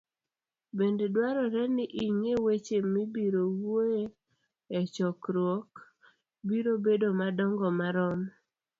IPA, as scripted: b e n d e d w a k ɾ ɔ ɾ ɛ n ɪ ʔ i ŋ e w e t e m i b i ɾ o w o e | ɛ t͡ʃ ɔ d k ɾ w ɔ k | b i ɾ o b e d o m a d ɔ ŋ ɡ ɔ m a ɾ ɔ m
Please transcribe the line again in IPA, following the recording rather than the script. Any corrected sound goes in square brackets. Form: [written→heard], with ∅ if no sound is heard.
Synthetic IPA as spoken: b e n d e d w a [k→∅] ɾ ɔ ɾ ɛ n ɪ ʔ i ŋ e w e [t→t͡ʃ] e m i b i ɾ o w o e | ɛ t͡ʃ ɔ [d→∅] k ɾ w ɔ k | b i ɾ o b e d o m a d ɔ ŋ ɡ ɔ m a ɾ ɔ m